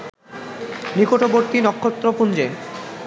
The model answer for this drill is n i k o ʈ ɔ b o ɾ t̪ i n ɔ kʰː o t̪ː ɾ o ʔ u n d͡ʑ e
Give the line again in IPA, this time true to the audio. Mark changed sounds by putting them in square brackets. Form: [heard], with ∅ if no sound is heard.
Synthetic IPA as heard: n i k o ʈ [o] b o ɾ t̪ i n ɔ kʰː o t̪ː ɾ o [p] u n d͡ʑ e